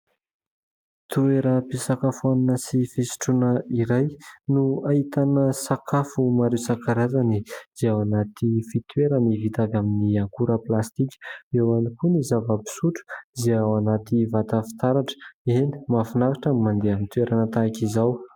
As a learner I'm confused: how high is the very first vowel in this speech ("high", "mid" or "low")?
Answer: high